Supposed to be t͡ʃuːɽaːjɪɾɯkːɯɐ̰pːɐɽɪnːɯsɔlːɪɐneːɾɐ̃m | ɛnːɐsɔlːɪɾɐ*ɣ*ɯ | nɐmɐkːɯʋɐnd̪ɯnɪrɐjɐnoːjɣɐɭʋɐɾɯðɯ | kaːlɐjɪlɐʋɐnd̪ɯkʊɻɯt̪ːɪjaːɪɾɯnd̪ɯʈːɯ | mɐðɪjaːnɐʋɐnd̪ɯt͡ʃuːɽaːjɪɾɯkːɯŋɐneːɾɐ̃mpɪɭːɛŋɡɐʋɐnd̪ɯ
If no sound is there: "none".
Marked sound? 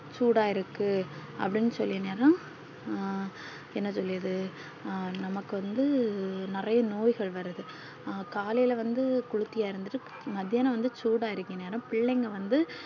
ð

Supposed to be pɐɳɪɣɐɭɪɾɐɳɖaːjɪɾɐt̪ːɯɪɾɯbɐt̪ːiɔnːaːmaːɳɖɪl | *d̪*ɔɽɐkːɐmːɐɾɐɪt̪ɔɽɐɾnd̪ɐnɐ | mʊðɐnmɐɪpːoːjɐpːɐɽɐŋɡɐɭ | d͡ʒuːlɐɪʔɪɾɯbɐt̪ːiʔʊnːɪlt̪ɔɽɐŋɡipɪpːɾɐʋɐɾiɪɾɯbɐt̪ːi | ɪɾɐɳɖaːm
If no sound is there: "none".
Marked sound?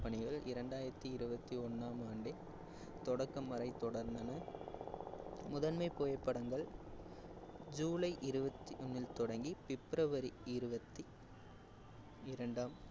t̪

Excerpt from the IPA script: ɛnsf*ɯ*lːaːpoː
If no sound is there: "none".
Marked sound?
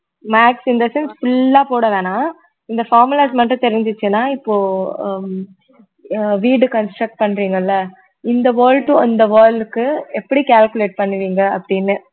ʊ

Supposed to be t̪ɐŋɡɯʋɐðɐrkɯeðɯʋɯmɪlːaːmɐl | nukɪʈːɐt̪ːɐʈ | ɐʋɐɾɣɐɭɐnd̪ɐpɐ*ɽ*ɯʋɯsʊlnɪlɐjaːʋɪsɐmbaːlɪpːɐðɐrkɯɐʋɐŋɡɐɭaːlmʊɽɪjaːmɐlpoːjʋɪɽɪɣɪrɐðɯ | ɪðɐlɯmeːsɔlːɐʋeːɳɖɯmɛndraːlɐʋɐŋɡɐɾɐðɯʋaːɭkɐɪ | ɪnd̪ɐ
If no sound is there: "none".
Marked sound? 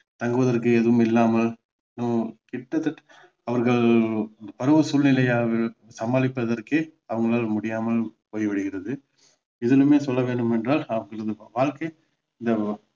ɾ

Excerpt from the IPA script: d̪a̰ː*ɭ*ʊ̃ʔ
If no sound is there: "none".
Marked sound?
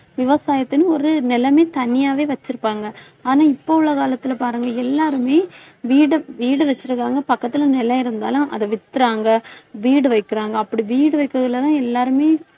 l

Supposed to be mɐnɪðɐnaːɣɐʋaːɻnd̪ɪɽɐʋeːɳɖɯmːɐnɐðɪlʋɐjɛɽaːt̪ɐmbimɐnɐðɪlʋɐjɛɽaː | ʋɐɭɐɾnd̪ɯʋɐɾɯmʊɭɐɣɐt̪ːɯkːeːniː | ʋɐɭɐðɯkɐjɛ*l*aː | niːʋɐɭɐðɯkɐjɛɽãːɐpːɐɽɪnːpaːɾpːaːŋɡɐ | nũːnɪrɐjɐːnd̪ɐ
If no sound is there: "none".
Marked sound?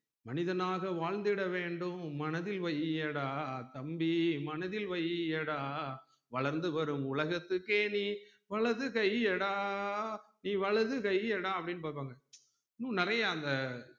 ɽ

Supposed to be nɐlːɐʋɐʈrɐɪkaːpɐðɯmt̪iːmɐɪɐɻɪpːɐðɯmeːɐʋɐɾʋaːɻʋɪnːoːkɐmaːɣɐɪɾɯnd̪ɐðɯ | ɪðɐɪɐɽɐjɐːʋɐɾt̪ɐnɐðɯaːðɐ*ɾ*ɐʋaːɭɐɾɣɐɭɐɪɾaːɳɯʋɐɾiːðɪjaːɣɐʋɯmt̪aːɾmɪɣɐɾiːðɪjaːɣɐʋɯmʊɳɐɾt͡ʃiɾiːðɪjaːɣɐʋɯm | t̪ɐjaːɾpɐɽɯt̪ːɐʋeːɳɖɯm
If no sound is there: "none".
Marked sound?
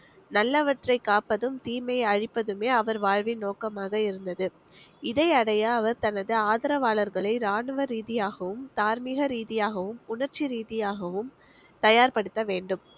ɾ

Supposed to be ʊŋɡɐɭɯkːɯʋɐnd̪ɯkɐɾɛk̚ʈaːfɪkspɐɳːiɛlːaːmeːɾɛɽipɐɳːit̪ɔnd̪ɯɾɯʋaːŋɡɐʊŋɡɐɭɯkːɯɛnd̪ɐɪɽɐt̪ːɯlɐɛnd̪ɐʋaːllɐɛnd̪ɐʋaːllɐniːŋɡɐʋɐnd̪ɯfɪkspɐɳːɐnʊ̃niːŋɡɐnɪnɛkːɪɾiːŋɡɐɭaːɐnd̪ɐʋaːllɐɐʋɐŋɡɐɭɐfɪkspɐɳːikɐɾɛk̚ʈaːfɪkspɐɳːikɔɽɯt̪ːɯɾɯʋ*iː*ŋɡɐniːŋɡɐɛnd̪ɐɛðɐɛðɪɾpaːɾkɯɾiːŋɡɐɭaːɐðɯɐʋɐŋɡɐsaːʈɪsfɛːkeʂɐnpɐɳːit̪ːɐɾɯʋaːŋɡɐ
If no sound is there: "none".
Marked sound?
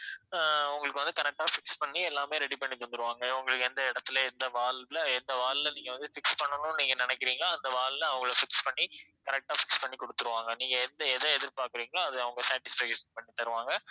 aː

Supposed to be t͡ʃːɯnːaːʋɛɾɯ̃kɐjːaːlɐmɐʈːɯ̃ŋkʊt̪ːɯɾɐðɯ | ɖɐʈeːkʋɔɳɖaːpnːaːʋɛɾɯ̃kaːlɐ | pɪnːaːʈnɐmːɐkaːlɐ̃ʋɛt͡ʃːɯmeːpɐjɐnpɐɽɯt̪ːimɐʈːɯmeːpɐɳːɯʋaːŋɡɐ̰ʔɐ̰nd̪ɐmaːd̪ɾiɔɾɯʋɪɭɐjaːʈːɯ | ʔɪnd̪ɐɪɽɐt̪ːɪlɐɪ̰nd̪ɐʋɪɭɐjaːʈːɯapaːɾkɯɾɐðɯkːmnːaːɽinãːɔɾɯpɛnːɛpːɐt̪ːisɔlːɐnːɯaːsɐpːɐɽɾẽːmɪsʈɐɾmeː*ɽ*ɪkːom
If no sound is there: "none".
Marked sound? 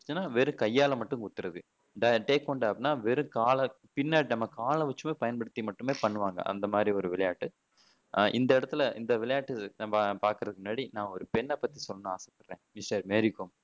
ɾ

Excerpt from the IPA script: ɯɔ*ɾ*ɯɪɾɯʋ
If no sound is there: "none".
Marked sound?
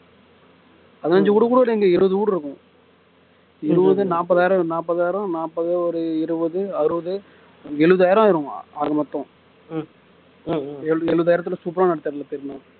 ɾ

